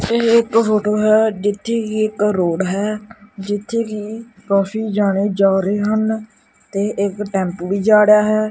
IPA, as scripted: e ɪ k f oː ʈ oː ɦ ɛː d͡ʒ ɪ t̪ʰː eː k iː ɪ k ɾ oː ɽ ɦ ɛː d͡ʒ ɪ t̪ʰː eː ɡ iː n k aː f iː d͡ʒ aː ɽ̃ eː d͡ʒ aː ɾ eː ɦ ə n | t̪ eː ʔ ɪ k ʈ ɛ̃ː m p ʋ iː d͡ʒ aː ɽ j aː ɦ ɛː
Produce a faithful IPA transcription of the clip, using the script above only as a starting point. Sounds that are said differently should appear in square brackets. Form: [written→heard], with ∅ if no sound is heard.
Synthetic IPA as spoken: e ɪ k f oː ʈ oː ɦ ɛː d͡ʒ ɪ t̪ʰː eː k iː ɪ k ɾ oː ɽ ɦ ɛː d͡ʒ ɪ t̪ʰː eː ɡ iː [n→∅] k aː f iː d͡ʒ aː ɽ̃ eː d͡ʒ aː ɾ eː ɦ ə n | t̪ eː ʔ ɪ k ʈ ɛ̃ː m p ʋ iː d͡ʒ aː ɽ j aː ɦ ɛː